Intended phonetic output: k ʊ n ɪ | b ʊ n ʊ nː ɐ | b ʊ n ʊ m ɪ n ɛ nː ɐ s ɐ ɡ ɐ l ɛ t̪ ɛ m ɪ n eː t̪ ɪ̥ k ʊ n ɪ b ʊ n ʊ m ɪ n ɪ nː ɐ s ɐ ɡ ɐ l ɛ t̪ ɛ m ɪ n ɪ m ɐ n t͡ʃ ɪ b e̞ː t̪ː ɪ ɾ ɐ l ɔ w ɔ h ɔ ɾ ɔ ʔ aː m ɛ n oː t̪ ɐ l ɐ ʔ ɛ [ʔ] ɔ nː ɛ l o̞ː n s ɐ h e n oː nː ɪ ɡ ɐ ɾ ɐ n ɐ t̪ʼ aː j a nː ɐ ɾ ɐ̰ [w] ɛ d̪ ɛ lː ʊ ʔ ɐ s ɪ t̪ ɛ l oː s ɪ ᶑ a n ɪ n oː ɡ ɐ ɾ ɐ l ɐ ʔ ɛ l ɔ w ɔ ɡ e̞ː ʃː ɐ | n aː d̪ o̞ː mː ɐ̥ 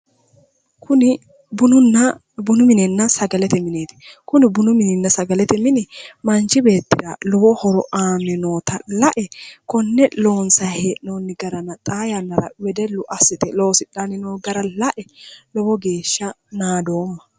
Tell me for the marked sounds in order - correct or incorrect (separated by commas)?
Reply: incorrect, correct